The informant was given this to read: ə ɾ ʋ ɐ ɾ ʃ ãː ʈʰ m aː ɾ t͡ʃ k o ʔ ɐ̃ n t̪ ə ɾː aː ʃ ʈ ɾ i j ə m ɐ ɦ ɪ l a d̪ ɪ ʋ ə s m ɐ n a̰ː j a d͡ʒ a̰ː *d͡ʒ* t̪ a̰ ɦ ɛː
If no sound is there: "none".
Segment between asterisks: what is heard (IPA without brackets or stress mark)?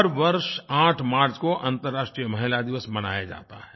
none